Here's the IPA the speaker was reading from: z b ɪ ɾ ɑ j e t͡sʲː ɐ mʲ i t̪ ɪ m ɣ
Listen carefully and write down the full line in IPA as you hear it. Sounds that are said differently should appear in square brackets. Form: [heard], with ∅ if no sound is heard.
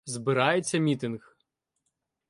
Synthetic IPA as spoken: z b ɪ ɾ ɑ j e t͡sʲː ɐ mʲ i t̪ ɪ [n] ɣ